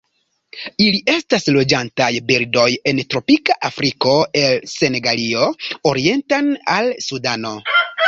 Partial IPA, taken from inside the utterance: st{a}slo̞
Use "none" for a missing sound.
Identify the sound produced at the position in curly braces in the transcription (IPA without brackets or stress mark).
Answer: a